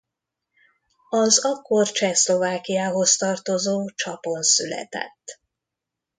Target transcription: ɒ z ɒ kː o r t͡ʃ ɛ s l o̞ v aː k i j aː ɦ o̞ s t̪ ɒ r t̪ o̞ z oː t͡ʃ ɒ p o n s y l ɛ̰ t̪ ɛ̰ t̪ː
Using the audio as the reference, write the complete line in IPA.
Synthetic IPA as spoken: ɒ z ɒ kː o r t͡ʃ ɛ s l o̞ v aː k i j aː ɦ o̞ s t̪ ɒ r t̪ o̞ z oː t͡ʃ ɒ p o n s y l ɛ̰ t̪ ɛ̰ t̪ː